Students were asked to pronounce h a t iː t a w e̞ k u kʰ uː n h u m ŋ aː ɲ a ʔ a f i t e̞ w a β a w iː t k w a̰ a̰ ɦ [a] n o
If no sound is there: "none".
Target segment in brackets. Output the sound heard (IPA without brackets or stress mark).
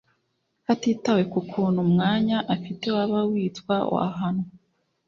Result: a